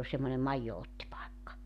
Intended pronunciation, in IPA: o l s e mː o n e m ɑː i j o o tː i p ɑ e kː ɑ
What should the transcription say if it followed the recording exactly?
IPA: o l s e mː o n e m ɑ i jː o o tː i p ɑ e kː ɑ